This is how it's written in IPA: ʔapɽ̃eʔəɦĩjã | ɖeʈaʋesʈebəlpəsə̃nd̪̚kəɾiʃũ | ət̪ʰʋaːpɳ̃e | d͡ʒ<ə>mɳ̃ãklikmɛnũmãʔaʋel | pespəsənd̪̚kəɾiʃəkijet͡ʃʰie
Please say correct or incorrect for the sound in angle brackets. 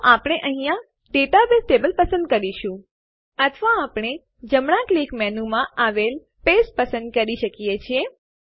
correct